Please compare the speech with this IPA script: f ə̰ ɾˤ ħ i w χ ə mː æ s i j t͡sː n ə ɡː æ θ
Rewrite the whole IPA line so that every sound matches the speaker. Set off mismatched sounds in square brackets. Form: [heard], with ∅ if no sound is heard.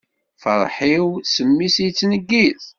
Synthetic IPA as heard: f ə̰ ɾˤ ħ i w [s] ə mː [i] s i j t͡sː n ə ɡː [i] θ